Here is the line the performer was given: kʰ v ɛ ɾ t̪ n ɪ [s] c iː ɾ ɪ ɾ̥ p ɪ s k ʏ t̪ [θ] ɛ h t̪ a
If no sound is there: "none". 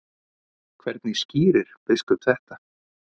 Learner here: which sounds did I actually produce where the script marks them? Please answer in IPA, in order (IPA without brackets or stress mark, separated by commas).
s, θ